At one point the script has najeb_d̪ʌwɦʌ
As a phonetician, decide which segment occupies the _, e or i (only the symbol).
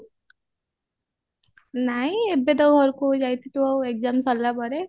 e